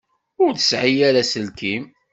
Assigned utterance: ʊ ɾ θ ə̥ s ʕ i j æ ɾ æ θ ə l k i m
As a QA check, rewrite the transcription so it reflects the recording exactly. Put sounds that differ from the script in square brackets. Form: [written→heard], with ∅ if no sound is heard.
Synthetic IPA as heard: ʊ ɾ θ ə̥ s ʕ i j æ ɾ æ [θ→s] ə l k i m